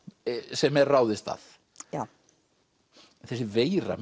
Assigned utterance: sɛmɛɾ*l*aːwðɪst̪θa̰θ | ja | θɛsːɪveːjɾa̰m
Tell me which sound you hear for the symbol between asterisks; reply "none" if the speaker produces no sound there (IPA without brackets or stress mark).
r